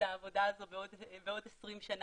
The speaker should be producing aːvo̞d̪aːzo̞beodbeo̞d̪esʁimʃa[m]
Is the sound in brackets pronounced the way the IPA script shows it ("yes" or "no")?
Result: no